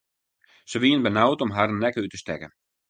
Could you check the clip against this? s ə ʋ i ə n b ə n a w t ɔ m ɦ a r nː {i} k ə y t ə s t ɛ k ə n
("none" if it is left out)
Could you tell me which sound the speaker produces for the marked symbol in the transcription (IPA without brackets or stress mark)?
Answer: ɛ